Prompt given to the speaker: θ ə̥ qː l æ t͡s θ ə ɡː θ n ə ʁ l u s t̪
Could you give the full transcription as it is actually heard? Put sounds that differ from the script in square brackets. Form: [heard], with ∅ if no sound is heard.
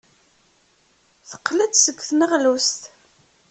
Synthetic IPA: θ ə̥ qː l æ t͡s [s] ə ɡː θ n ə ʁ l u s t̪